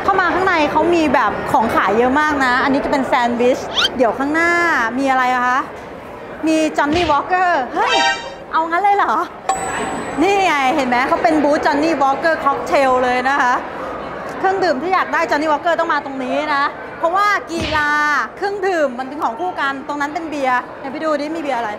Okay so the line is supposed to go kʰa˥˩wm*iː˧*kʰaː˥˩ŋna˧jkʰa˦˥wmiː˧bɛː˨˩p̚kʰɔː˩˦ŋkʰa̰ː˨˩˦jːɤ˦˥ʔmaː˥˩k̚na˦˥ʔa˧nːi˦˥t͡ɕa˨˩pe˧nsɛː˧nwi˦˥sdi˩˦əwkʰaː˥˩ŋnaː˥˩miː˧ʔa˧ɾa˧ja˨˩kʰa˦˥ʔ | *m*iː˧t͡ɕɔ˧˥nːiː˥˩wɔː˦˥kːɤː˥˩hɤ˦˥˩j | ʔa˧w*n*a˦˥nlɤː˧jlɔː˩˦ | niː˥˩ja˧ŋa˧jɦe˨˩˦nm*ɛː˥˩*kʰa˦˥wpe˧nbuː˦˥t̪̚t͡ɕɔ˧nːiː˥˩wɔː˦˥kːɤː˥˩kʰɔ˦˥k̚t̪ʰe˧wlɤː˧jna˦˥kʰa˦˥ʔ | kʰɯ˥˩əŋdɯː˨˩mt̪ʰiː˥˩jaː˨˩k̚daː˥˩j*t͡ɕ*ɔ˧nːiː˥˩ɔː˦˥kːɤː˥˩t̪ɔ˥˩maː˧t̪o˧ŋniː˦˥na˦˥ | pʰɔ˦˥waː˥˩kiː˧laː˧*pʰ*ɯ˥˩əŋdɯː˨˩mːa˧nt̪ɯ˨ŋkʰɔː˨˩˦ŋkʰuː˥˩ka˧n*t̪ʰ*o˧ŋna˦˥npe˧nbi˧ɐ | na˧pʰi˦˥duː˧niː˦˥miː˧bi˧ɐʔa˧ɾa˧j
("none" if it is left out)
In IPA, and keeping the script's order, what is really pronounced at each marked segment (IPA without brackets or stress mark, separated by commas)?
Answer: aː˧, m, ŋ, ɛː˦˥, t͡ɕ, kʰ, t̪